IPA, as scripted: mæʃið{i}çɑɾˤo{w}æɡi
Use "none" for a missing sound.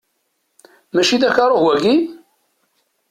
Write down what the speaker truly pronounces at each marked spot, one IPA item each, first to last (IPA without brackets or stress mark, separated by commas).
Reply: æ, w